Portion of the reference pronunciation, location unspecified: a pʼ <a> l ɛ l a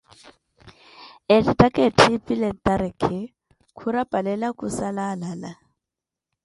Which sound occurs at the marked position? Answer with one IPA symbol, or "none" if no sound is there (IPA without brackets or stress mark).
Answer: a